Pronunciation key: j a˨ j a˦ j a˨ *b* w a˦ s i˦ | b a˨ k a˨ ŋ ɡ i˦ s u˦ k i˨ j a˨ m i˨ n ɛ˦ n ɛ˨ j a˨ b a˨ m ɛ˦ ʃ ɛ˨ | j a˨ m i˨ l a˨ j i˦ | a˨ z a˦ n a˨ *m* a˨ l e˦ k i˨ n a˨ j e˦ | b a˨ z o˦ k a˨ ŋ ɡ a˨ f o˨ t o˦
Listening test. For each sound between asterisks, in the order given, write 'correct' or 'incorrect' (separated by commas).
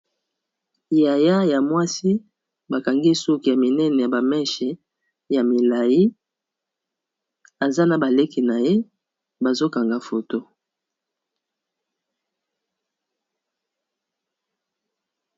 incorrect, incorrect